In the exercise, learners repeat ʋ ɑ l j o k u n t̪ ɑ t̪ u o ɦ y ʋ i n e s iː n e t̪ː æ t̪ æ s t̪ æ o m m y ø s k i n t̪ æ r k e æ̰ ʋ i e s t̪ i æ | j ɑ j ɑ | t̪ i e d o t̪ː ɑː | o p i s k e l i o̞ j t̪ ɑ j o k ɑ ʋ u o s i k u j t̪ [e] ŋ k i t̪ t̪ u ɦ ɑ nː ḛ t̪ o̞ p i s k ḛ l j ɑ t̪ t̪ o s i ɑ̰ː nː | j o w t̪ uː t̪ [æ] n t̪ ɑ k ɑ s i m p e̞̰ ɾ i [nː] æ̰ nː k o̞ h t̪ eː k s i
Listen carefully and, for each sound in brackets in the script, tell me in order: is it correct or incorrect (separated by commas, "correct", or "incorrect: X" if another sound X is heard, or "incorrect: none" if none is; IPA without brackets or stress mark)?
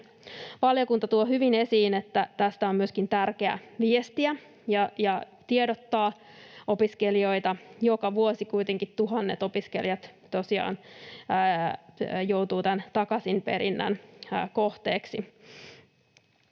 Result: correct, correct, correct